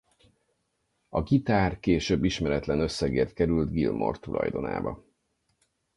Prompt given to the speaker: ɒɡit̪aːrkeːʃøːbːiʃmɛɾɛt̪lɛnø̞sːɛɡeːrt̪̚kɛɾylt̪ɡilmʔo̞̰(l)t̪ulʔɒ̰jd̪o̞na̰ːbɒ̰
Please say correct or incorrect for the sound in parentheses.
incorrect